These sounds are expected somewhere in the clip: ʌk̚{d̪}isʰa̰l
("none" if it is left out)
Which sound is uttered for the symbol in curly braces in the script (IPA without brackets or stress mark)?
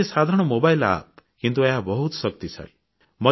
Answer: t̪